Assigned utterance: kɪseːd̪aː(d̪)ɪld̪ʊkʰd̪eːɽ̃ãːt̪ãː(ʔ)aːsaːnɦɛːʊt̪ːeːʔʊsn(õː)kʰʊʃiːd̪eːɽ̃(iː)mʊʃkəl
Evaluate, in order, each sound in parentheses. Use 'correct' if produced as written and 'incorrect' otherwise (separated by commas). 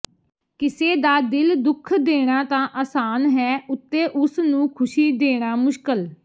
correct, correct, incorrect, incorrect